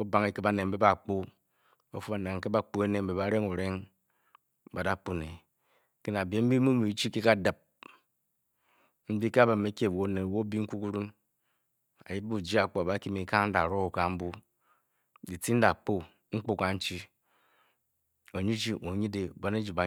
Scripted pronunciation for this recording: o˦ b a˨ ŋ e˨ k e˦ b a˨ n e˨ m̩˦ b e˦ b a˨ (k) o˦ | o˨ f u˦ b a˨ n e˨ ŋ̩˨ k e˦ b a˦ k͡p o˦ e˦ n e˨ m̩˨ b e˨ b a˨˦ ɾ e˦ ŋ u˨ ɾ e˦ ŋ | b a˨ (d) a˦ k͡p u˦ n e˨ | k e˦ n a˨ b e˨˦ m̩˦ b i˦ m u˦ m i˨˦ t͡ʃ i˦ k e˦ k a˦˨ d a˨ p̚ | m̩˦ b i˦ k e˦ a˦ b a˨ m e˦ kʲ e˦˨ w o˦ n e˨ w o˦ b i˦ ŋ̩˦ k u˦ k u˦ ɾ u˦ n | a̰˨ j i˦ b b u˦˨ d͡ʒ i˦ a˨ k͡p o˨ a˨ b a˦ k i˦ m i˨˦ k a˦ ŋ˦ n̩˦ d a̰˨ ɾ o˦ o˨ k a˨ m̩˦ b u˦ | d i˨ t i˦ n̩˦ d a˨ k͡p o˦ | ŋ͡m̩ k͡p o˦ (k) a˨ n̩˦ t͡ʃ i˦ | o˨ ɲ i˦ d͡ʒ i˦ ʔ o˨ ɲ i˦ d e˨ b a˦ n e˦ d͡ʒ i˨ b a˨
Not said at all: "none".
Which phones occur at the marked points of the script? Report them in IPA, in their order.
k͡p, d, k

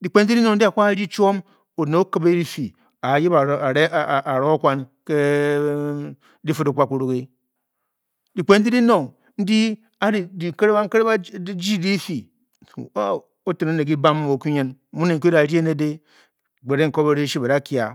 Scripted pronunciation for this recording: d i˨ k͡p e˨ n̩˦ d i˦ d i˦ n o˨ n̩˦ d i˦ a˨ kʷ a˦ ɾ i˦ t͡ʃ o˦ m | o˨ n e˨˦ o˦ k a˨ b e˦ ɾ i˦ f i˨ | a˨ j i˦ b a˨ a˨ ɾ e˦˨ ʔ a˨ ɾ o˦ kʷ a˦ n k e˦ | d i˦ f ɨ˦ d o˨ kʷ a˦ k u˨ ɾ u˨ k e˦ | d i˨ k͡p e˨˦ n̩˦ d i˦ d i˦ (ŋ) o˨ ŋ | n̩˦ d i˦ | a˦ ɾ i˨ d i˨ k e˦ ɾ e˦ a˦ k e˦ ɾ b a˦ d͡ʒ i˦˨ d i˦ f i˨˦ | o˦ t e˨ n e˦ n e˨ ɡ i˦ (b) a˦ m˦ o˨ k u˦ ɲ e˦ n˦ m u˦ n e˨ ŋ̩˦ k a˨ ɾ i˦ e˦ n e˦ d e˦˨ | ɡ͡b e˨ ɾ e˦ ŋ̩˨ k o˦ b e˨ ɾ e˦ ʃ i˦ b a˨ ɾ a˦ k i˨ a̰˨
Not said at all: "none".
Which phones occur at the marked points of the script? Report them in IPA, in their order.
n, b

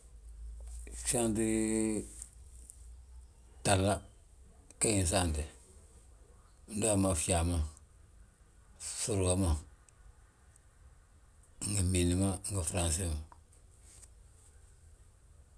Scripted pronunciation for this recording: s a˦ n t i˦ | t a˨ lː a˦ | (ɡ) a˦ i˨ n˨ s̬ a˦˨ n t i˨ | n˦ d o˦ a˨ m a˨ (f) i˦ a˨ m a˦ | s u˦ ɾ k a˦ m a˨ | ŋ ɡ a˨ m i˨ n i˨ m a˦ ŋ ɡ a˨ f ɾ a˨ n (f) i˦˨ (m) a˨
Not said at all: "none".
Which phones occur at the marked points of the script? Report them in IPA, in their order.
k, f, s, m

